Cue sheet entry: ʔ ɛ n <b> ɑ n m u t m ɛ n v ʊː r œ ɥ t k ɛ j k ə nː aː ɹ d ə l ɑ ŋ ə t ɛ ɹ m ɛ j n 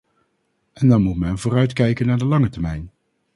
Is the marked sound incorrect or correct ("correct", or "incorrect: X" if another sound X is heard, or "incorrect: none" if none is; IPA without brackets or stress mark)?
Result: incorrect: d